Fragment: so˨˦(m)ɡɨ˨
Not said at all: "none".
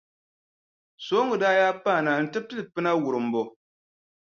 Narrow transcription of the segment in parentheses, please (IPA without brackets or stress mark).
ŋ